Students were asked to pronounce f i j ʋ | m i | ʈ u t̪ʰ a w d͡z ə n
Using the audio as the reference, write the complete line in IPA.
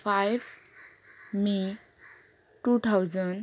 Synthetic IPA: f a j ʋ | m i | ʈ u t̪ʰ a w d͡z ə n